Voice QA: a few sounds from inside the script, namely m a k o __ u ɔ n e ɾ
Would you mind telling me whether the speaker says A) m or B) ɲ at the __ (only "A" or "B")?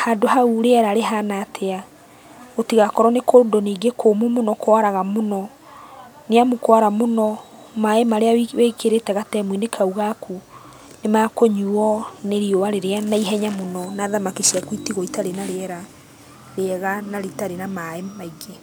B